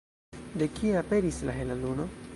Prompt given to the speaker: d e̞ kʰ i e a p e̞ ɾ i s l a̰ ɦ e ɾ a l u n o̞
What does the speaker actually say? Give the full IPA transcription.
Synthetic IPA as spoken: d e̞ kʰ i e a p e̞ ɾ i s l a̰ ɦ e l a l u n o̞